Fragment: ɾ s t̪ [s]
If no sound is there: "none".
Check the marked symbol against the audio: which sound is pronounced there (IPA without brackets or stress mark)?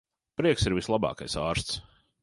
s